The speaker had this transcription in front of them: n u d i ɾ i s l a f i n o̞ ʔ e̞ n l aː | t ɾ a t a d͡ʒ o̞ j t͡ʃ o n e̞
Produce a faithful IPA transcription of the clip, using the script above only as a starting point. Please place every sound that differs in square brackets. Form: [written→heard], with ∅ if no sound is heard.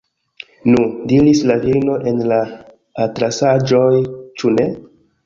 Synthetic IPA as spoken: n u d i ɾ i s l a [f→v] i n o̞ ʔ e̞ n l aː | t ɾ a [t→s] a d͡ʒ o̞ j t͡ʃ [o→u] n e̞